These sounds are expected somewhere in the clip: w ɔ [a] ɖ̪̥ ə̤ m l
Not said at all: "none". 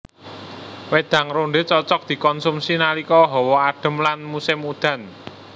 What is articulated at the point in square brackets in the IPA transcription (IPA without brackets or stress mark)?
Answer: a